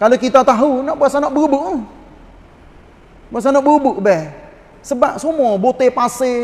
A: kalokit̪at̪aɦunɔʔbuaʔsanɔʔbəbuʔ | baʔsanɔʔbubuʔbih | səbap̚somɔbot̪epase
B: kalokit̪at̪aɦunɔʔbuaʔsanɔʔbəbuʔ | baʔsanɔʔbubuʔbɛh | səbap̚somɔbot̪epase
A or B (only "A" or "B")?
B